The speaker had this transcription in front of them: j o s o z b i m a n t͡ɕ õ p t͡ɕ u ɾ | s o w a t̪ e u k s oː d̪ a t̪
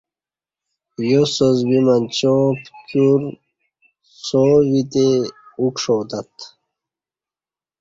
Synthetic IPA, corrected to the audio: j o s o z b i m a n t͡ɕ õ p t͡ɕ u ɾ | s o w i t̪ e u k ʂ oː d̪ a t̪